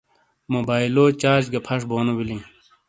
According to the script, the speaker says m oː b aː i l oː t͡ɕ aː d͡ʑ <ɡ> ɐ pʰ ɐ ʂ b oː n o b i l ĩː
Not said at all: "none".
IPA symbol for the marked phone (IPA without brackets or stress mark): ɡ